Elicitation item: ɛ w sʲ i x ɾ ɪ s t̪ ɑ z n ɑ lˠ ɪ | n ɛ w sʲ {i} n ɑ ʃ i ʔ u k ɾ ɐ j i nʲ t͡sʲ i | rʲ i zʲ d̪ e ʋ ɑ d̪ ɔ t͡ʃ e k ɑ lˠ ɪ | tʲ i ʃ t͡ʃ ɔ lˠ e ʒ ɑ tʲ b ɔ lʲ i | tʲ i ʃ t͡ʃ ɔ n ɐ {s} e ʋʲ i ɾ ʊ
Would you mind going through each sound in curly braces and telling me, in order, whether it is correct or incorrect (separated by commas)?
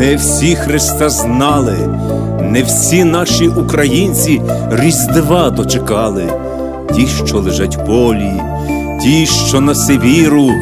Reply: correct, correct